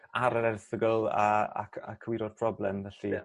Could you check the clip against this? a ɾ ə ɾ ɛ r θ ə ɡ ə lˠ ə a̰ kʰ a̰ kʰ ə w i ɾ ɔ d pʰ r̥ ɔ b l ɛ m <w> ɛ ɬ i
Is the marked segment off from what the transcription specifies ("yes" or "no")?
yes